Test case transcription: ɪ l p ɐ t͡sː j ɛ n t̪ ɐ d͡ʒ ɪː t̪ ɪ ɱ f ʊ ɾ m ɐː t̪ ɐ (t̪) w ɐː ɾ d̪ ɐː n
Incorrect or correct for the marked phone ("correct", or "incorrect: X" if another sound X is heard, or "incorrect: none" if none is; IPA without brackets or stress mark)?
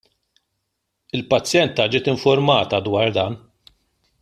incorrect: d̪